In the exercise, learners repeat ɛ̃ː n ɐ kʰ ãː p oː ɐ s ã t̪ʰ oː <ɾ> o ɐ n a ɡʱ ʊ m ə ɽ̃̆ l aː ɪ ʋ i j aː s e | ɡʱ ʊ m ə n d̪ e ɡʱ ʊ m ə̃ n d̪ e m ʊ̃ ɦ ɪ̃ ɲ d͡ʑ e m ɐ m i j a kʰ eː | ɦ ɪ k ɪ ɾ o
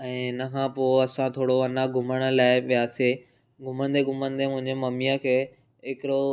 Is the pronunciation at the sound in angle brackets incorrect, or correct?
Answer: incorrect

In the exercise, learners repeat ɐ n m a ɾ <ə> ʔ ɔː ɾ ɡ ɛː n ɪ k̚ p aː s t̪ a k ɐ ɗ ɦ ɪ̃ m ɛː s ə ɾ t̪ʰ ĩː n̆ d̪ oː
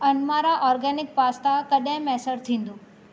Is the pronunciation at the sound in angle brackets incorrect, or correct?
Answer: incorrect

